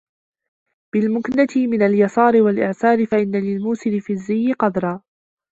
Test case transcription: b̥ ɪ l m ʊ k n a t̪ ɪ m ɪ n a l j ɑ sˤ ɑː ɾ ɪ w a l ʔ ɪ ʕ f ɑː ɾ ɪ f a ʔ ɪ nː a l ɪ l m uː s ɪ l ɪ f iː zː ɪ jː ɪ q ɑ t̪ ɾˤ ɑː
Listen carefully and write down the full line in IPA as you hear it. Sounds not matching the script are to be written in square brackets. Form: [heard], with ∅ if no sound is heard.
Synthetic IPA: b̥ ɪ l m ʊ k n a t̪ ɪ m ɪ n a l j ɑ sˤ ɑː ɾ ɪ w a l ʔ ɪ ʕ [s] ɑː ɾ ɪ f a ʔ ɪ nː a l ɪ l m uː s ɪ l ɪ f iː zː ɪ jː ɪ q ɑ [d̪] ɾˤ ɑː